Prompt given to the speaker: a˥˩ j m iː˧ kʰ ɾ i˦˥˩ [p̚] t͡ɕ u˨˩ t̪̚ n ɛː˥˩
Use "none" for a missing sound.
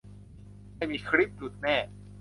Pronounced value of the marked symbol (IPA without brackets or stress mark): p̚